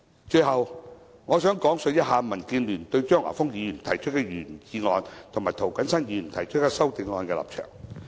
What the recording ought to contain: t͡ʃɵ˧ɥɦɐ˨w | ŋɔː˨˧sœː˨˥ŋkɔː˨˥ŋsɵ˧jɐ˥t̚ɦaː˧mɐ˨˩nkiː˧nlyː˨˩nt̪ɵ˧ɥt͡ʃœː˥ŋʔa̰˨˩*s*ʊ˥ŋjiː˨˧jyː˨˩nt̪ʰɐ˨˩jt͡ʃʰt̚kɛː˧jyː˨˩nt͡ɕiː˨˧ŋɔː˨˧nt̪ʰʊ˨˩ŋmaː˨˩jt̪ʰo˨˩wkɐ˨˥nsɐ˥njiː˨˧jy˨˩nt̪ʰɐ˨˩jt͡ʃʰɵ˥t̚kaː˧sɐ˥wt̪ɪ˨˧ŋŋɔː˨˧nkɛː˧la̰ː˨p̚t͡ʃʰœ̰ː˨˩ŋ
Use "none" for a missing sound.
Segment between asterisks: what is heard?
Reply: f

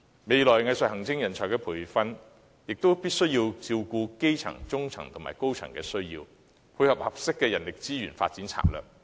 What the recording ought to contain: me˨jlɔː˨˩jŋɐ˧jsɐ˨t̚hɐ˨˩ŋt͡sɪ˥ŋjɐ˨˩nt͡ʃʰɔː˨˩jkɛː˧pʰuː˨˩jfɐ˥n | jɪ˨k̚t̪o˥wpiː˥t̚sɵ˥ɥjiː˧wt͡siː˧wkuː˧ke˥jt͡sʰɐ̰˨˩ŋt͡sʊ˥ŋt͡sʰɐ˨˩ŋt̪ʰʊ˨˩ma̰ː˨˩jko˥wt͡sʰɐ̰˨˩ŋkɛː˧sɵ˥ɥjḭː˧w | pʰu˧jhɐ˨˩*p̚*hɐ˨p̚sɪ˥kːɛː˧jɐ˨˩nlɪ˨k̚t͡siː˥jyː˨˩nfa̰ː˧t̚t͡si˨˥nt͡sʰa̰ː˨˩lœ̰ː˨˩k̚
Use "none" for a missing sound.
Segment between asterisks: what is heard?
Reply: p̚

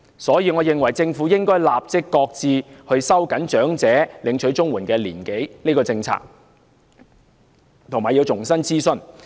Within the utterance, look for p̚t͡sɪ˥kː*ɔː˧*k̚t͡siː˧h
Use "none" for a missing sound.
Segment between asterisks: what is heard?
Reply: ɔː˧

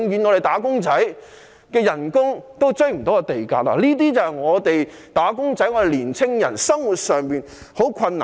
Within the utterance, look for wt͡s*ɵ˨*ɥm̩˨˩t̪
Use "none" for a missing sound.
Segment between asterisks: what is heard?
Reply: ɵ˥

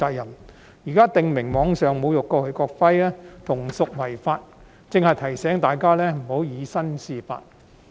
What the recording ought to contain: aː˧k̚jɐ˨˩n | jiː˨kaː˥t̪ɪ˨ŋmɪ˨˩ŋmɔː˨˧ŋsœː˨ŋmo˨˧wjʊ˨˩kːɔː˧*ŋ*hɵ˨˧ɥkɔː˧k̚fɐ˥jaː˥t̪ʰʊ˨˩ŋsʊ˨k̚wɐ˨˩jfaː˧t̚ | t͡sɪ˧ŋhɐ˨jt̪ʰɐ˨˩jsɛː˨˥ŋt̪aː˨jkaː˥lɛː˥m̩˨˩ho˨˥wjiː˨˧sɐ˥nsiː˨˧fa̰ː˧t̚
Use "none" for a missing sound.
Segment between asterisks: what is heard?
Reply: none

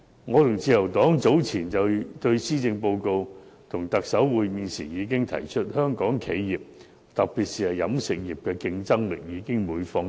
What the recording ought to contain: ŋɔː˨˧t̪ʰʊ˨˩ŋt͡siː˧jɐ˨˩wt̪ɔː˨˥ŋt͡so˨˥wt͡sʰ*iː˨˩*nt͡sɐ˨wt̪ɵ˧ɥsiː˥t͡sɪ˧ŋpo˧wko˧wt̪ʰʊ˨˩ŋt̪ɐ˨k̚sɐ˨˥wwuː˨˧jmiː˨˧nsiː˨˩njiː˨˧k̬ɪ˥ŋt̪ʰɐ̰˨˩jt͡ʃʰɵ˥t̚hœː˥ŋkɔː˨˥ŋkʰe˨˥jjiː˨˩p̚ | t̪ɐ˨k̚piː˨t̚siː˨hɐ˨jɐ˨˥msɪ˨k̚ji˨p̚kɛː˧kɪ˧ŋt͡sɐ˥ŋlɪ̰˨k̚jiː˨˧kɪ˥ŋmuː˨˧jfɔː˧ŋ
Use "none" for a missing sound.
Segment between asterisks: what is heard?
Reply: iː˨˩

